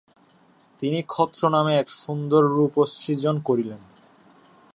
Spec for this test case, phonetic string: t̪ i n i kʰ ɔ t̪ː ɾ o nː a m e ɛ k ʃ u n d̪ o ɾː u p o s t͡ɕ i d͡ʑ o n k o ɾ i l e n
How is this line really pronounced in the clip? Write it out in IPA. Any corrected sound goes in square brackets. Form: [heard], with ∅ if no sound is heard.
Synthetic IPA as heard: t̪ i n i kʰ ɔ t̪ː ɾ o [n] a m e ɛ k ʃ u n d̪ o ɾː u p o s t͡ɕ i d͡ʑ o n k o ɾ i l e n